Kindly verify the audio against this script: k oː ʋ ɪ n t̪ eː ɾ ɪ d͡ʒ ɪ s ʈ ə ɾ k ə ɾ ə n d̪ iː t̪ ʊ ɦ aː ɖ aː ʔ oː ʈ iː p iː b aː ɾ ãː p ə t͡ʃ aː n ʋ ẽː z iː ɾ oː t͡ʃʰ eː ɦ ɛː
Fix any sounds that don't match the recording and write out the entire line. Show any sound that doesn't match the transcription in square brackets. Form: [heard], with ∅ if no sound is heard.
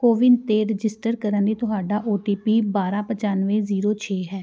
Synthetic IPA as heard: k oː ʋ ɪ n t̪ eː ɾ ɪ d͡ʒ ɪ s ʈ ə ɾ k ə ɾ ə n d̪ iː t̪ ʊ ɦ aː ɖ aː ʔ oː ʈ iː p iː b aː ɾ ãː p ə t͡ʃ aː n ʋ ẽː z iː ɾ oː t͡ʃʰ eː ɦ ɛː